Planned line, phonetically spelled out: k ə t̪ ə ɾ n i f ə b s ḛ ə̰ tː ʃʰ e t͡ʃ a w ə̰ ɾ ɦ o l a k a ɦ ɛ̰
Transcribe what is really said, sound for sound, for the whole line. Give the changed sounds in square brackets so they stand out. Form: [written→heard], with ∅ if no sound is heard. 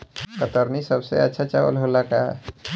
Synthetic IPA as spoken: k ə t̪ ə ɾ n i [f→s] ə b s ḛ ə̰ tː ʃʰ [e→a] t͡ʃ a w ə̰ [ɾ→l] ɦ o l a k a ɦ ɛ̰